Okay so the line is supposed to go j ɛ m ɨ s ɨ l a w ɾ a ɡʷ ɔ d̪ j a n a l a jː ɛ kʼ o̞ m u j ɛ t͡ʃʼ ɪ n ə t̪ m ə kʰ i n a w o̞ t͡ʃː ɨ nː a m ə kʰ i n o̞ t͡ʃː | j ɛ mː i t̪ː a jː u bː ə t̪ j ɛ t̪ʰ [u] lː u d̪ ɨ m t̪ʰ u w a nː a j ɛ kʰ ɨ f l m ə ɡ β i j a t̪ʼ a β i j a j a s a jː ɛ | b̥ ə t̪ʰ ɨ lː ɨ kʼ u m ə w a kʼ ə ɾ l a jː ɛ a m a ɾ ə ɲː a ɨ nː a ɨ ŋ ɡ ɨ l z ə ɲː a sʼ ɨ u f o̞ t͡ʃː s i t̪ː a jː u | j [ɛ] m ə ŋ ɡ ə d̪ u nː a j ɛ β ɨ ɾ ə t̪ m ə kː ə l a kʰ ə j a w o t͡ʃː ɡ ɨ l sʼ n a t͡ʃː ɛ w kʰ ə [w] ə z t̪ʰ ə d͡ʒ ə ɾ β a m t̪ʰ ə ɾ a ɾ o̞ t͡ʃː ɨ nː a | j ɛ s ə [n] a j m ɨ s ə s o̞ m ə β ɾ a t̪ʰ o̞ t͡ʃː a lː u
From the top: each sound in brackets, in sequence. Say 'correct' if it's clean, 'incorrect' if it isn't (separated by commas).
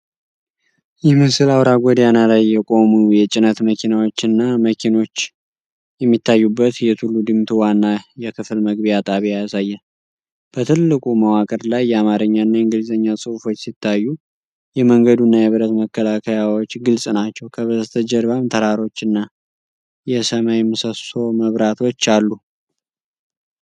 correct, correct, incorrect, incorrect